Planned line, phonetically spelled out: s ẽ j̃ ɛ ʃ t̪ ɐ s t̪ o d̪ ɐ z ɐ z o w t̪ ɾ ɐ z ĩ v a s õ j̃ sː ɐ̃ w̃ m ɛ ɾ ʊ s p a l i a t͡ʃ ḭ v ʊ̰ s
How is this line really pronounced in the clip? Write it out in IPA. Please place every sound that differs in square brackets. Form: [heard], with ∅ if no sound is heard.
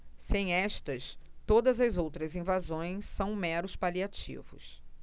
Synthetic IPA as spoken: s ẽ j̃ ɛ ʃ t̪ ɐ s t̪ o d̪ ɐ z ɐ z o w t̪ ɾ ɐ z ĩ v a [z] õ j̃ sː ɐ̃ w̃ m ɛ ɾ ʊ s p a l i a t͡ʃ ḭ v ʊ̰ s